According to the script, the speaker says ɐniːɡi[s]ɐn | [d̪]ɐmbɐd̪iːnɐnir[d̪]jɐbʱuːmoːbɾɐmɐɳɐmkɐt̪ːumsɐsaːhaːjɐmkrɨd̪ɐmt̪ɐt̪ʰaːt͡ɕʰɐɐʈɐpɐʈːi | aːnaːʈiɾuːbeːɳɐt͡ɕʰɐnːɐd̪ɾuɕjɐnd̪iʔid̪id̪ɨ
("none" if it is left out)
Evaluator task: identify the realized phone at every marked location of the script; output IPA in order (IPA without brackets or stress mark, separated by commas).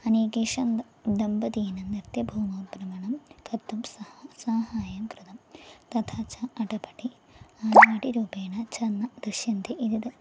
ʂ, d̪, t̪